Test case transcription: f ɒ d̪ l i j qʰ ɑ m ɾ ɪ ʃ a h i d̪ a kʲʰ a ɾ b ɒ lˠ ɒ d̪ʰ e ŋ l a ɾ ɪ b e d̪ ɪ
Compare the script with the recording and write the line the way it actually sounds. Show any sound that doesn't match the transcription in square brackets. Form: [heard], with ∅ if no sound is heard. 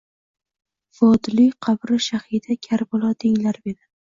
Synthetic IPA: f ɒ d̪ l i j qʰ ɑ [b] ɾ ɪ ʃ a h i d̪ a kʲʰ a ɾ b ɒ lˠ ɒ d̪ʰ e ŋ l a ɾ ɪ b e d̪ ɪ